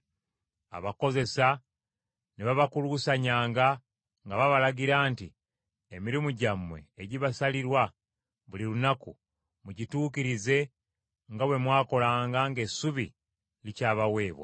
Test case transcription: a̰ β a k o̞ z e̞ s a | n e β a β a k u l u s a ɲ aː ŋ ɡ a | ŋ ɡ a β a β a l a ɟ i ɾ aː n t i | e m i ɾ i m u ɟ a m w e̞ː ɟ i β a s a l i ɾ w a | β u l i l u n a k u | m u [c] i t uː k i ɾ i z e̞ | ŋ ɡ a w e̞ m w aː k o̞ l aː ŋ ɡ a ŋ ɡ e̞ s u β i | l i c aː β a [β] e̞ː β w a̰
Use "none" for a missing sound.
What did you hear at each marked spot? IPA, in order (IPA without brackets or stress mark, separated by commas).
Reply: ɟ, w